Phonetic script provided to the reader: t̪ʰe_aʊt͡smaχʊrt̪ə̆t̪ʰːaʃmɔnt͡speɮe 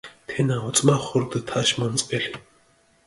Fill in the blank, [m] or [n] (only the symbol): n